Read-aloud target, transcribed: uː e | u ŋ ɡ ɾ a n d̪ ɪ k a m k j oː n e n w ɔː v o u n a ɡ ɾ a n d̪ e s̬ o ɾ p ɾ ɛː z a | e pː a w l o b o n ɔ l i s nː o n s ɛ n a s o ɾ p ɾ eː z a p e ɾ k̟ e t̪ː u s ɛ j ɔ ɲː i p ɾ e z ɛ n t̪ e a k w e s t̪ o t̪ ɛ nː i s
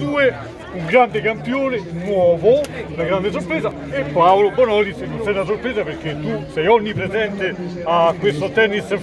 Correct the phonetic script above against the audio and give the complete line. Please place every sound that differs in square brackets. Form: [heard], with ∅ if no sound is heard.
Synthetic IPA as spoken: uː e | u ŋ ɡ ɾ a n d̪ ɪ k a m [p] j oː n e n w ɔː v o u n a ɡ ɾ a n d̪ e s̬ o ɾ p ɾ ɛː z a | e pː a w l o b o n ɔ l i s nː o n s ɛ n a s o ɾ p ɾ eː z a p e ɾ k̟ e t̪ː u s ɛ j ɔ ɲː i p ɾ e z ɛ n t̪ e a k w e s t̪ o t̪ ɛ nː i s